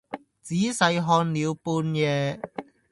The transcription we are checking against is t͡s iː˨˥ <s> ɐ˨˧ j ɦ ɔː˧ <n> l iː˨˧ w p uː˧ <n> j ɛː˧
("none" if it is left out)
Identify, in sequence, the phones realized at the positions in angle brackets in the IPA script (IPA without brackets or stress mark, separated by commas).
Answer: s, n, n